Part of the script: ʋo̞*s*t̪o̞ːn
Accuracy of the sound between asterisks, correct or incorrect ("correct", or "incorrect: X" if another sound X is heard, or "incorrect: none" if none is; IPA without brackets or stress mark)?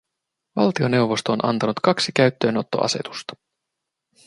correct